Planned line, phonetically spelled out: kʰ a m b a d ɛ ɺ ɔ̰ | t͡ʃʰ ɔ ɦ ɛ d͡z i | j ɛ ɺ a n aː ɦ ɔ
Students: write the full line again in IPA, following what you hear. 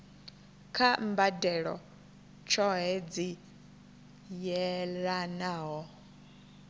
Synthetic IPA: kʰ a m b a d ɛ ɺ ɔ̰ | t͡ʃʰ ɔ ɦ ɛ d͡z i | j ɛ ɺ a n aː ɦ ɔ